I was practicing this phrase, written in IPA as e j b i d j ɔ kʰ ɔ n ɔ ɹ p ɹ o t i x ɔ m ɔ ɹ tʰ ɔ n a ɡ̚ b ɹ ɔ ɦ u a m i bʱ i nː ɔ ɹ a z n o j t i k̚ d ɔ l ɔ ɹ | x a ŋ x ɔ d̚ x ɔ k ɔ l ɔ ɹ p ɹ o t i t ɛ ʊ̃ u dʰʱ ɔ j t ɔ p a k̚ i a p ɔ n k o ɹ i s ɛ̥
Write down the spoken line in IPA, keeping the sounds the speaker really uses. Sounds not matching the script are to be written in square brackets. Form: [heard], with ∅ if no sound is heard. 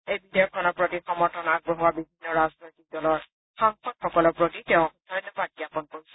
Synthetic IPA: e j b i d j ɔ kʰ ɔ n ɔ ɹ p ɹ o t i x ɔ m ɔ ɹ tʰ ɔ n a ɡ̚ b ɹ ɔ ɦ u a [b] i bʱ i nː ɔ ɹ a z n o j t i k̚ d ɔ l ɔ ɹ | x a ŋ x ɔ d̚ x ɔ k ɔ l ɔ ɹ p ɹ o t i t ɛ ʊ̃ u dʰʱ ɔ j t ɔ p a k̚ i a p ɔ n k o ɹ i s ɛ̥